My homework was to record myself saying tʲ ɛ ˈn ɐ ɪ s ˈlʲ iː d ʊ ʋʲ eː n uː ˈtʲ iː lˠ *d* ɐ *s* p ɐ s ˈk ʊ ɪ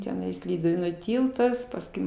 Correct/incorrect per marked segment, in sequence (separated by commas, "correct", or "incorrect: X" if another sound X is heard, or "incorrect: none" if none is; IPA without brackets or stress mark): incorrect: t, correct